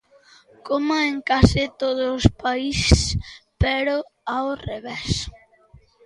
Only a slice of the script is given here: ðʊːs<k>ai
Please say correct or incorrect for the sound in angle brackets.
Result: incorrect